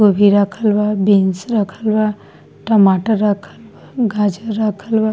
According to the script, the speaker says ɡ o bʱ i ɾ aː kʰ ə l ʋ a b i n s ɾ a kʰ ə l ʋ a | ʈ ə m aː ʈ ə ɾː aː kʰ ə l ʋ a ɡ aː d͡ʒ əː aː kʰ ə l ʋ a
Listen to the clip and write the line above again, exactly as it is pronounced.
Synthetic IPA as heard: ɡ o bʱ i ɾ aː kʰ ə l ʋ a b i n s ɾ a kʰ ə l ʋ a | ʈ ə m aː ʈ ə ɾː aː kʰ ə l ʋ a ɡ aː d͡ʒ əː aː kʰ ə l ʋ a